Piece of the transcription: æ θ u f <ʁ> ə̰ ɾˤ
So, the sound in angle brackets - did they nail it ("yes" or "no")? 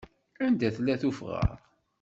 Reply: yes